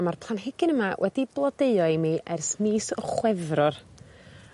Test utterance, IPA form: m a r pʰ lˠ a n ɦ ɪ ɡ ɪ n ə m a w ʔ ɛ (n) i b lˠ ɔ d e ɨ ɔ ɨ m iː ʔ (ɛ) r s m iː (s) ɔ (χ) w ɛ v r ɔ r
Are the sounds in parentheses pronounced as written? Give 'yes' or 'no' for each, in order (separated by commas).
no, yes, yes, yes